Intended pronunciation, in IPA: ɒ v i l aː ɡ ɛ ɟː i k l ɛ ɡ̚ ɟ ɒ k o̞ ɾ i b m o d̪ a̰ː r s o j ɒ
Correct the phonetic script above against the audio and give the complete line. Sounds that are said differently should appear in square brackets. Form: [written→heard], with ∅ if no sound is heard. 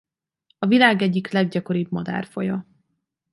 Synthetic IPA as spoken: ɒ v i l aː ɡ ɛ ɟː i k l ɛ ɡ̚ ɟ ɒ k o̞ ɾ i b m [o→ɒ] d̪ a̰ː r [s→f] o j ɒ